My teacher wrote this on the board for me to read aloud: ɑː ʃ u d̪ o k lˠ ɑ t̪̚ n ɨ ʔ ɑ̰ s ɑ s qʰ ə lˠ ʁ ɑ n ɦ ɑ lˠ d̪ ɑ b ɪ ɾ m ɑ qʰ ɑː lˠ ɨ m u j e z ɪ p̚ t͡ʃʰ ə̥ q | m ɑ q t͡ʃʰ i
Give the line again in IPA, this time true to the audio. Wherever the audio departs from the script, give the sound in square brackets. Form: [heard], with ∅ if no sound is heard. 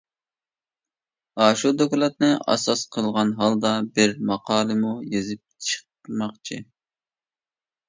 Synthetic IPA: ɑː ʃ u d̪ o k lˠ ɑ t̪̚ n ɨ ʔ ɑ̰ s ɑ s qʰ ə lˠ ʁ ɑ n ɦ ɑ lˠ d̪ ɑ b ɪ ɾ m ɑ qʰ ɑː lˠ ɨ m u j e z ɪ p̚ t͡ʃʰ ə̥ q | m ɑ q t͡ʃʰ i